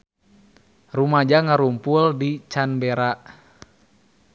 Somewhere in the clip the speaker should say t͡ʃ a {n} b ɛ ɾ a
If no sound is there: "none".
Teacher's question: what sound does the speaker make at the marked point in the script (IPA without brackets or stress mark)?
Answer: n